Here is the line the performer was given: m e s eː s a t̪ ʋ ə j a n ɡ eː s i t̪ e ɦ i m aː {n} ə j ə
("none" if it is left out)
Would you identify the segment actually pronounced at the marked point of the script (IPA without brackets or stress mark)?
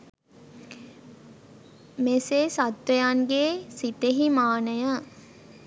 n